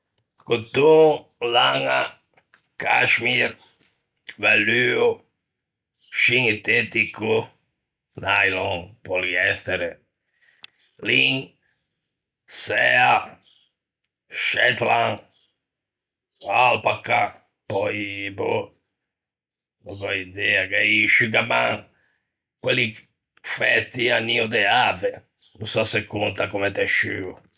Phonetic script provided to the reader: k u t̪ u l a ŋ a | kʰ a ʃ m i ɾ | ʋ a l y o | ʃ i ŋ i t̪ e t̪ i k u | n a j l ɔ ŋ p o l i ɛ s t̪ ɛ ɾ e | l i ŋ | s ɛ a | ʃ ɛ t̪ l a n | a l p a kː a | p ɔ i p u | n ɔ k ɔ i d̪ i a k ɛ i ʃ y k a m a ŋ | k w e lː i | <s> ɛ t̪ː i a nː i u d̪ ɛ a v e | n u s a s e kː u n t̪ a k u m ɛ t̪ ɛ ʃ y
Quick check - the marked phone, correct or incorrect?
incorrect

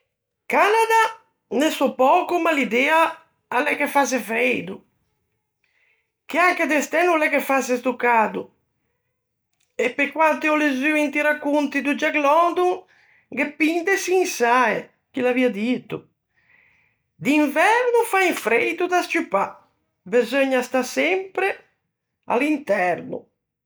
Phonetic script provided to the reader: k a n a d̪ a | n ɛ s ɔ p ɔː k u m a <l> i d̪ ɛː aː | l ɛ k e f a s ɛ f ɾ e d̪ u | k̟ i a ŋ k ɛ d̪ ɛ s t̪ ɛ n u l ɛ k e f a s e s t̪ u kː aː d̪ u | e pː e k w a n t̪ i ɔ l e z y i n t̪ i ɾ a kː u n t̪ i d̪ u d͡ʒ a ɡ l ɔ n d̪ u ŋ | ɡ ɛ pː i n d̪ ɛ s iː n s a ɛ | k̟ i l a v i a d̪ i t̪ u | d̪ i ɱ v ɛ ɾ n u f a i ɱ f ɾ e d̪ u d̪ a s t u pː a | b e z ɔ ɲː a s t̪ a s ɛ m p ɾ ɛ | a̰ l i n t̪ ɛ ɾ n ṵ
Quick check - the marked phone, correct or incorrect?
correct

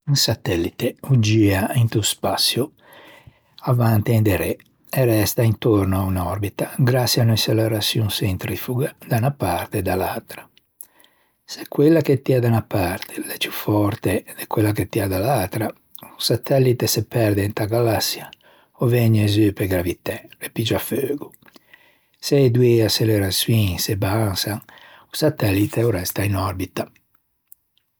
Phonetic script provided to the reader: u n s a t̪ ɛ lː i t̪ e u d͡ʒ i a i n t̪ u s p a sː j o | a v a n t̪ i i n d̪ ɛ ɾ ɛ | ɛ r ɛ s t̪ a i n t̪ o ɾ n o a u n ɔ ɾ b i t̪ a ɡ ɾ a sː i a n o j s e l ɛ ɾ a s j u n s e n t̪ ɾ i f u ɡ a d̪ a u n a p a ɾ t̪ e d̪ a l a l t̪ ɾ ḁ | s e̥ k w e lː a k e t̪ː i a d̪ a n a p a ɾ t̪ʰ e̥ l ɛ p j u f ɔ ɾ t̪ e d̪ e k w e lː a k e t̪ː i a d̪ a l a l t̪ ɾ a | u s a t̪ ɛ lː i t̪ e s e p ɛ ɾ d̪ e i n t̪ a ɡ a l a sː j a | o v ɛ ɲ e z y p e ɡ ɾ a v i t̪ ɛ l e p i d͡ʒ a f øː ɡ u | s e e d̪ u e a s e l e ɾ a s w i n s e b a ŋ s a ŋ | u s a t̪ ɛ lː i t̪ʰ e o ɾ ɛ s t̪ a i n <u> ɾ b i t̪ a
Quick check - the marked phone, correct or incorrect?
incorrect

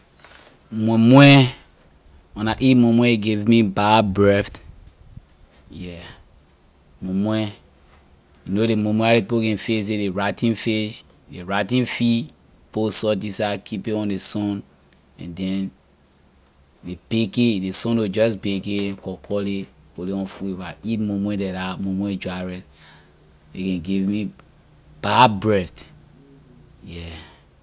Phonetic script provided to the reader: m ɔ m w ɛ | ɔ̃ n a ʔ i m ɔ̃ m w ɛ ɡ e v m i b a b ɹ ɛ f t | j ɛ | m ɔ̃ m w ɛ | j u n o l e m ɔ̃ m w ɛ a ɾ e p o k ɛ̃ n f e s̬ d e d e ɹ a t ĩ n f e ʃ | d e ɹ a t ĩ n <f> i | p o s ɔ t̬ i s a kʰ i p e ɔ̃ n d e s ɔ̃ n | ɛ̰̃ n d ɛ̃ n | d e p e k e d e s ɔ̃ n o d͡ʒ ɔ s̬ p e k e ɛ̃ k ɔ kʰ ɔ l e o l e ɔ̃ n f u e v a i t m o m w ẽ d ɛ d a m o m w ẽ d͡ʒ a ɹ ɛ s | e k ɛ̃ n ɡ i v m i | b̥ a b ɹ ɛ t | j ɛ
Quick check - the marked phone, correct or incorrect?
correct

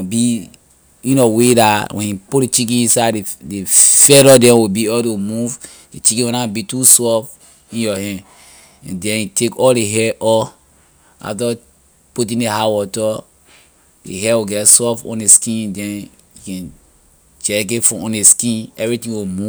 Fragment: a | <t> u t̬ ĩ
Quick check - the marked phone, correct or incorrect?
incorrect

